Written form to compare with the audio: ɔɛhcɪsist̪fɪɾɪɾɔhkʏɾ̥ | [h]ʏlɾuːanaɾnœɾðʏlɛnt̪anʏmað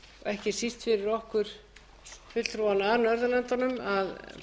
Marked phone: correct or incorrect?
incorrect: f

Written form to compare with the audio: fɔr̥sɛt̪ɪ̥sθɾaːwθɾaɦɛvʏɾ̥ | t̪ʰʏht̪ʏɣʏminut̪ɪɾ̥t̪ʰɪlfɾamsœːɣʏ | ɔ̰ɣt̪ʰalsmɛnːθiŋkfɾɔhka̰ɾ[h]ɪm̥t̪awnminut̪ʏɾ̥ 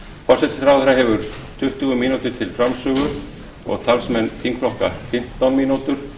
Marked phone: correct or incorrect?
incorrect: f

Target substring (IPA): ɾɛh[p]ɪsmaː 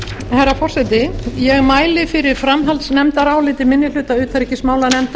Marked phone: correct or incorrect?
incorrect: c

